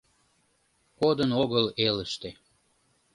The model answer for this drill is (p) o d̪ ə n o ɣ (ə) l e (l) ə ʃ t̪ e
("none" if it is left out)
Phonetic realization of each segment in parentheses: k, ə, l

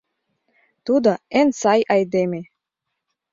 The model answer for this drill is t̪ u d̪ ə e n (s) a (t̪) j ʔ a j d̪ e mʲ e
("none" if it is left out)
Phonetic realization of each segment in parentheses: s, none

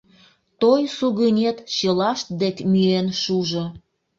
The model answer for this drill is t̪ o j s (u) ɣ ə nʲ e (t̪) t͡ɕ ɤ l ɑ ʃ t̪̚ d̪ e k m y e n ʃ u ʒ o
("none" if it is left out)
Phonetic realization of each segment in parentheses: u, t̪

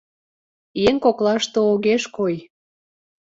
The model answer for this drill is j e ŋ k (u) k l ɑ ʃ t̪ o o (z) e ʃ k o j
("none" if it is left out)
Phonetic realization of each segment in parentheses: o, ɣ

